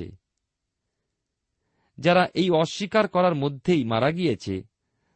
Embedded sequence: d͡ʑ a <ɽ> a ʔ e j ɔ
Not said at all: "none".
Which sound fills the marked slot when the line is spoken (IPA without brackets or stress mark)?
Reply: ɾ